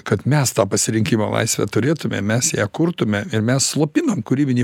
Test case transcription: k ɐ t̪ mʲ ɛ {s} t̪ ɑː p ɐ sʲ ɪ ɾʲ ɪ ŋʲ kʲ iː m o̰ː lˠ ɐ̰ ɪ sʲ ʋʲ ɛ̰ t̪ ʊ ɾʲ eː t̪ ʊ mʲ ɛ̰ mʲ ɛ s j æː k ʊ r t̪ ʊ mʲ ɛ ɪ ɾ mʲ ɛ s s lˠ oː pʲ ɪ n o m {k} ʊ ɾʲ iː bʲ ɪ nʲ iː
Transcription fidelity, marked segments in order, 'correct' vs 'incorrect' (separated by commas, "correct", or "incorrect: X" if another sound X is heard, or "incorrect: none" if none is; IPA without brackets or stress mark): correct, correct